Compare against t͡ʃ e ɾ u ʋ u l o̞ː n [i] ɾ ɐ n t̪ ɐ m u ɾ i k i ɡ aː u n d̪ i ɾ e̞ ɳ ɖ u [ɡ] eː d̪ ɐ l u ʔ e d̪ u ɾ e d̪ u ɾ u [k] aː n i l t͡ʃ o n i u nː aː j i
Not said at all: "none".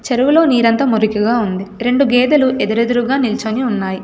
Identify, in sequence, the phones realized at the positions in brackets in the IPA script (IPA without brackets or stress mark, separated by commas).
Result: iː, ɡ, ɡ